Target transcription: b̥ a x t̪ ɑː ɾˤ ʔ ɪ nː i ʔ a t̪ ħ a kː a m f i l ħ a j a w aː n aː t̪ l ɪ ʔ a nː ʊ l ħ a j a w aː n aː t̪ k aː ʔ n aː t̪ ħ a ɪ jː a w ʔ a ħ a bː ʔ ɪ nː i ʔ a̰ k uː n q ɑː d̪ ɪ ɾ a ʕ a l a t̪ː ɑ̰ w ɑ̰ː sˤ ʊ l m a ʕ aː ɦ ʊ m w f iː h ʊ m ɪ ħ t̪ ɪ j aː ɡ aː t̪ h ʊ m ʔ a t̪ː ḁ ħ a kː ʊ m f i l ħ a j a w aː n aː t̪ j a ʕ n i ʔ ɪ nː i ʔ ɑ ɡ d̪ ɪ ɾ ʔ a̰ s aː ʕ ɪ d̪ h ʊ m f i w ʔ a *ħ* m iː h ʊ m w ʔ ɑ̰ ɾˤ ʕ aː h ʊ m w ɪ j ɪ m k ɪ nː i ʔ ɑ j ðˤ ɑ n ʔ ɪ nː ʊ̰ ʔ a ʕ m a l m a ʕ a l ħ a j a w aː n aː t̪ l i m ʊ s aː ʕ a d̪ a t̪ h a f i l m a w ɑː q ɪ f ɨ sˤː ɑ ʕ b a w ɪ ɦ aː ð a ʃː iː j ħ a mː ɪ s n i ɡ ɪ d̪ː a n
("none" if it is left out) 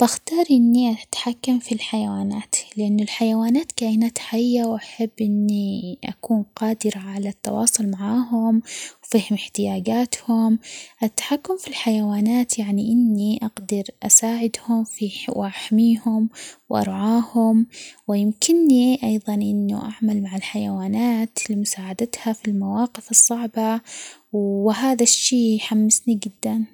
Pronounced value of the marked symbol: ħ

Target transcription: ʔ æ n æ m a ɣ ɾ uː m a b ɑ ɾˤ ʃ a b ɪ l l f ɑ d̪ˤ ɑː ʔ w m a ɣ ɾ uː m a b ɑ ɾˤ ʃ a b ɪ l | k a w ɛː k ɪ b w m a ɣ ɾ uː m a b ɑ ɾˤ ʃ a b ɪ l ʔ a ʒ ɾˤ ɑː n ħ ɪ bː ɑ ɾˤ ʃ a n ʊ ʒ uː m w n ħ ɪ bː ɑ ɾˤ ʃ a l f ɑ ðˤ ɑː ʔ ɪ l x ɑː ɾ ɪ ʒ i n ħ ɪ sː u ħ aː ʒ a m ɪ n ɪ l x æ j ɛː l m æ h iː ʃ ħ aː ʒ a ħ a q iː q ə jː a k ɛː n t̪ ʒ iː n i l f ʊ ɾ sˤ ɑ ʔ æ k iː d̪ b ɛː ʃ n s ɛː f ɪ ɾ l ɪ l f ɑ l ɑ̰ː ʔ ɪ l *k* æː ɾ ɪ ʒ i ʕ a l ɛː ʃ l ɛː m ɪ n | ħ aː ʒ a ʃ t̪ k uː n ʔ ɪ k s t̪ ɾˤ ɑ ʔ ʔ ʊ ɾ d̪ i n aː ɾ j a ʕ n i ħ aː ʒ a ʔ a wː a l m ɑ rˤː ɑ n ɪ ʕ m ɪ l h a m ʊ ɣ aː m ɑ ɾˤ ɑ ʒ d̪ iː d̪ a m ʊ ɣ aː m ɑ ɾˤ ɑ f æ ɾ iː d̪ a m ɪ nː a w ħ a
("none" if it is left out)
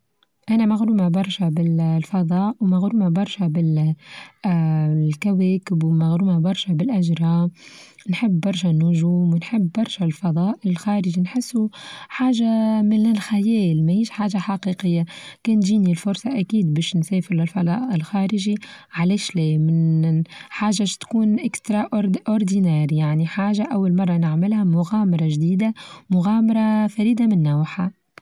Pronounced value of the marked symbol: x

